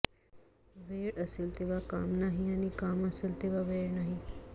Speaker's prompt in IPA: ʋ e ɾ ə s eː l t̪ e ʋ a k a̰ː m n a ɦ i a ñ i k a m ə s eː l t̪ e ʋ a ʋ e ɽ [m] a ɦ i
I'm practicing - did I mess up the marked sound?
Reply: yes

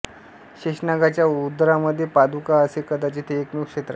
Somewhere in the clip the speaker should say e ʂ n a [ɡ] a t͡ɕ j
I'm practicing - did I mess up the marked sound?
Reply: no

